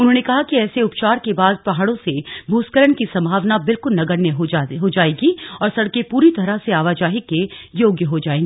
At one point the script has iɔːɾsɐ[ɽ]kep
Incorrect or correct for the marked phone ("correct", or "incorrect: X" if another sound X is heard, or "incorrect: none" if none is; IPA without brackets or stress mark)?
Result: correct